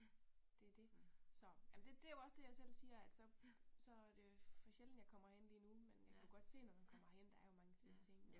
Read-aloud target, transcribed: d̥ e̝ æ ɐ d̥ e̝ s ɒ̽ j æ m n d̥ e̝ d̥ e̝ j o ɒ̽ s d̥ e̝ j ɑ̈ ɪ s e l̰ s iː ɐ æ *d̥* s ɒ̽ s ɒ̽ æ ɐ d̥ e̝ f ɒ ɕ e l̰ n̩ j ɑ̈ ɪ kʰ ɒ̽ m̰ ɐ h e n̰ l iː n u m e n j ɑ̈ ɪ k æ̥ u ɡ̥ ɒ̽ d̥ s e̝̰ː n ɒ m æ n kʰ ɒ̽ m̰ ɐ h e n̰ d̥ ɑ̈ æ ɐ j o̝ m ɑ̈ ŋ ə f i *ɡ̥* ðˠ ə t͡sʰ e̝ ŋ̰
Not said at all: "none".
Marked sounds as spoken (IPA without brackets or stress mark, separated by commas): d̥, none